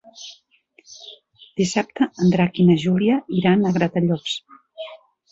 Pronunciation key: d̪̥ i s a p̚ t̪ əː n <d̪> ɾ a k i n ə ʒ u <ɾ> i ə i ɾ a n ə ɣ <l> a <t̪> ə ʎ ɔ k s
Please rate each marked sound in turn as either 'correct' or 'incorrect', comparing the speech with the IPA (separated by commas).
correct, incorrect, incorrect, correct